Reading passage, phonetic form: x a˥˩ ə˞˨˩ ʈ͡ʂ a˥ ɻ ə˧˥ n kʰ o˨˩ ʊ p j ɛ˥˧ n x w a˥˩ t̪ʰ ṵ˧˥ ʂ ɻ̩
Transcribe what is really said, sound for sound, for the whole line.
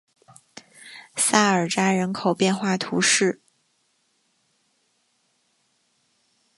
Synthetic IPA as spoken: s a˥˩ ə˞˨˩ ʈ͡ʂ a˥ ɻ ə˧˥ n kʰ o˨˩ ʊ p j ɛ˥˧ n x w a˥˩ t̪ʰ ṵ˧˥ ʂ ɻ̩